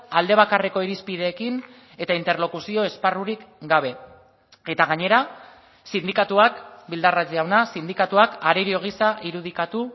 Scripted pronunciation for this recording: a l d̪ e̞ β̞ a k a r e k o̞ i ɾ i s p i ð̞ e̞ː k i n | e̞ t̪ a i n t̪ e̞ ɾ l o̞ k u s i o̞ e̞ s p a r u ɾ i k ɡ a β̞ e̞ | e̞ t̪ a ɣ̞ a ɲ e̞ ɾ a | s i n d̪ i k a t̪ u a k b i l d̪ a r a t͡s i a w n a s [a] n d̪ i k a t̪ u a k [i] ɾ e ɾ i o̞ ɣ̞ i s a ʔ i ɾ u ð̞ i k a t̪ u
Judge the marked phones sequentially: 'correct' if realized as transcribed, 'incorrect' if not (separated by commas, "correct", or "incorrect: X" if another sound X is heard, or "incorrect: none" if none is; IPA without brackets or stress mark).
incorrect: i, incorrect: a